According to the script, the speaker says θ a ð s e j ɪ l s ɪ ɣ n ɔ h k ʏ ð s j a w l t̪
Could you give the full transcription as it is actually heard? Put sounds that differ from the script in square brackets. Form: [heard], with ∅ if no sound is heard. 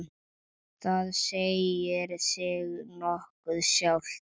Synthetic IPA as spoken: θ a ð s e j ɪ [ɾ] s ɪ ɣ n ɔ h k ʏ ð s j a w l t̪